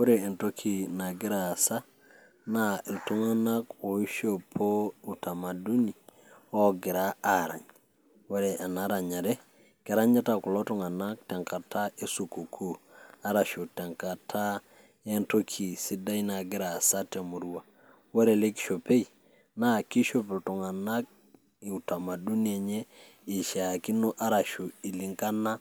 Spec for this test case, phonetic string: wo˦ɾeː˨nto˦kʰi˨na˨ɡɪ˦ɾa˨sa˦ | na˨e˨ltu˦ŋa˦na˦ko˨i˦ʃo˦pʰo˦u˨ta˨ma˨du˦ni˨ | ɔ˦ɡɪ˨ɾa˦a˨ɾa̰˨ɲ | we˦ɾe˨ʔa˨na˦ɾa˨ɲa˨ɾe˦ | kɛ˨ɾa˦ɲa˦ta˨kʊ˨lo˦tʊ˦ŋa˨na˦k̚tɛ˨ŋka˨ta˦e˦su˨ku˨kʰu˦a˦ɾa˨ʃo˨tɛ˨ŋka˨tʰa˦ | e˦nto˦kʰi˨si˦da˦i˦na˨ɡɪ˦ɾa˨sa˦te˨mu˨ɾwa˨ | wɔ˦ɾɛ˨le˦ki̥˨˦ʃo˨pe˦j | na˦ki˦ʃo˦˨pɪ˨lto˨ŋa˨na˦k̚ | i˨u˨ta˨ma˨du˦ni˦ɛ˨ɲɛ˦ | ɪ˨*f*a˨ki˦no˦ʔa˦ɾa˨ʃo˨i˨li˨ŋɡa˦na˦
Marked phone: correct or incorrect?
incorrect